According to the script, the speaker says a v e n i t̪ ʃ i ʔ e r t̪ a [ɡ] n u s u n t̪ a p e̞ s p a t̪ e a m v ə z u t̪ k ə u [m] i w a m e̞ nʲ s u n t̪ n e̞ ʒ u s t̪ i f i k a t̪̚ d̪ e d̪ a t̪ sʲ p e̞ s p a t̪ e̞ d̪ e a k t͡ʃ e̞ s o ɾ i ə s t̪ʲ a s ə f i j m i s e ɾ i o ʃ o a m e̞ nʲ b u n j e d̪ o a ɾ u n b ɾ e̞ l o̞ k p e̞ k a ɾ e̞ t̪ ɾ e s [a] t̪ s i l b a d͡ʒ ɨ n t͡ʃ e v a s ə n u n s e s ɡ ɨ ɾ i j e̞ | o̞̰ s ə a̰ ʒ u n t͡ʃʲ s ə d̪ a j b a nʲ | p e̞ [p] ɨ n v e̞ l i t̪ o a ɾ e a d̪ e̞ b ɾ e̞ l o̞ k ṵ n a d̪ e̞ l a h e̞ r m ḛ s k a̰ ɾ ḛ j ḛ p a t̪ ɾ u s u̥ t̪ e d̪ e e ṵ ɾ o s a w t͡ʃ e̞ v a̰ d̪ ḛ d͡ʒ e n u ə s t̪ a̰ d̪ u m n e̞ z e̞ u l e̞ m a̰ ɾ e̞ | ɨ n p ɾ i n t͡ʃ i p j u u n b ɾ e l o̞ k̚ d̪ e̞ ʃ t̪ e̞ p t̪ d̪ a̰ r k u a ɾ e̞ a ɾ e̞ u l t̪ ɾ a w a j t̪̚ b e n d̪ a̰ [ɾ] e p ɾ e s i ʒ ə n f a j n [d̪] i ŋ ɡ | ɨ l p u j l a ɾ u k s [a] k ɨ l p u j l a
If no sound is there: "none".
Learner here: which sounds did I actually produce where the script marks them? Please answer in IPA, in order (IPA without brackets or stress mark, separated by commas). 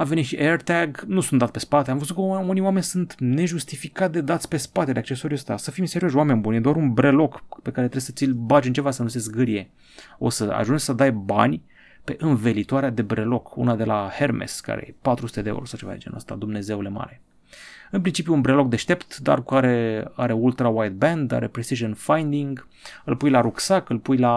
ɡ, n, ə, ʔ, ɾ, d̪, a